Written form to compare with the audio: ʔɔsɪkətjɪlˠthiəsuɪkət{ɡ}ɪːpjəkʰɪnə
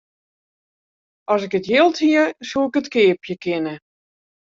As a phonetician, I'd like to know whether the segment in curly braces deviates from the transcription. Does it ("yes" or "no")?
yes